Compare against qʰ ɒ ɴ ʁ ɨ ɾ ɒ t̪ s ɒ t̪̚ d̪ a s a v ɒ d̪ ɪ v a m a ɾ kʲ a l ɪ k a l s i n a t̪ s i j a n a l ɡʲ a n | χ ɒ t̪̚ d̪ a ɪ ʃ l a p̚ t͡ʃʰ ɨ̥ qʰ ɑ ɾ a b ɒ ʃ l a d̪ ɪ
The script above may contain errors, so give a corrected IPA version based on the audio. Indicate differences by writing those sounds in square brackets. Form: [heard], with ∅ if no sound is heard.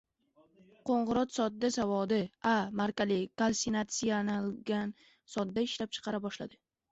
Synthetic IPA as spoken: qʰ [o] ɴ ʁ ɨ ɾ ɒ t̪ s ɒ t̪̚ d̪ a s a v ɒ d̪ ɪ [∅] a m a ɾ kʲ a l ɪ k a l s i n a t̪ s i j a n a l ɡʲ a n | [s] ɒ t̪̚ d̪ a ɪ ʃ l a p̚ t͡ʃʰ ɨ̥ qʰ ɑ ɾ a b ɒ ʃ l a d̪ ɪ